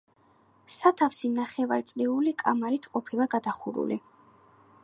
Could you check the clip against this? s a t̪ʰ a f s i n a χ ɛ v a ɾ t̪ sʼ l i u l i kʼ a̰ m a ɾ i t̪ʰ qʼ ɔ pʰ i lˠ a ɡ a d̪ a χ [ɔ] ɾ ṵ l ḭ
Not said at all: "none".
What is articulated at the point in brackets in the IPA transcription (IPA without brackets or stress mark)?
u